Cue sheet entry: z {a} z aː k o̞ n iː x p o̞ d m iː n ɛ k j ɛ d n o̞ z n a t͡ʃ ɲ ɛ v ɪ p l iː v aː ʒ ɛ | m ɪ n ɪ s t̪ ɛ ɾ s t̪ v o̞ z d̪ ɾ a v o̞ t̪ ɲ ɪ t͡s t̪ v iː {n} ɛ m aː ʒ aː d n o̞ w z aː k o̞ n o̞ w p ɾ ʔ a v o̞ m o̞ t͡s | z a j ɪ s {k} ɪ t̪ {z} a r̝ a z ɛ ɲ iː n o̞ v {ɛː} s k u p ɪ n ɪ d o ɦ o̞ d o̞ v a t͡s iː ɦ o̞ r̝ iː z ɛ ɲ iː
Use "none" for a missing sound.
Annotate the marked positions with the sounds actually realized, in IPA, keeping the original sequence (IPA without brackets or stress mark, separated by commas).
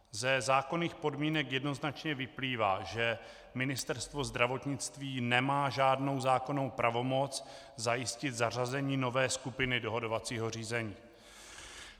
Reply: ɛ, n, c, z, ɛː